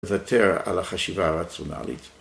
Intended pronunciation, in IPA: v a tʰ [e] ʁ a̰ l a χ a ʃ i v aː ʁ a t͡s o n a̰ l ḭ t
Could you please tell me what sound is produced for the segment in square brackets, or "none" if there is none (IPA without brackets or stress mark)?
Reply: e